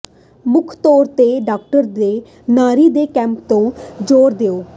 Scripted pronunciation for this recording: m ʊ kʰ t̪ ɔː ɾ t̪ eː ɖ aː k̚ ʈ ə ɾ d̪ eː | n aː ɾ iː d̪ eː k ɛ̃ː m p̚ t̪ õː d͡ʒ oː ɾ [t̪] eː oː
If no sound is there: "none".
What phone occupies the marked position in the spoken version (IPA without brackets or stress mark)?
d̪